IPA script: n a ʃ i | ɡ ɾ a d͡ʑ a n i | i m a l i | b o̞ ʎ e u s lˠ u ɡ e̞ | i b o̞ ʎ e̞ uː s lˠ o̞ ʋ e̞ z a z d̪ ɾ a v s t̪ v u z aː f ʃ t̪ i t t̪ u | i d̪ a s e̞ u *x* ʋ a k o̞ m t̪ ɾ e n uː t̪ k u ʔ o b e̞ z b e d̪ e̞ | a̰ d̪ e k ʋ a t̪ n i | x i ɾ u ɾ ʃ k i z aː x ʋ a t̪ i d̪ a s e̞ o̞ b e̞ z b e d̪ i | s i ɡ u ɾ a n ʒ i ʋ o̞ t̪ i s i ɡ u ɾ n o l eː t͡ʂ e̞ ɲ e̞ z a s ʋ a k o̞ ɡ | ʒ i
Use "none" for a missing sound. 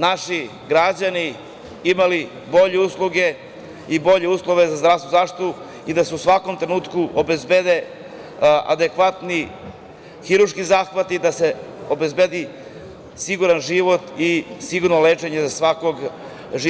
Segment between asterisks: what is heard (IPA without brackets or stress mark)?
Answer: s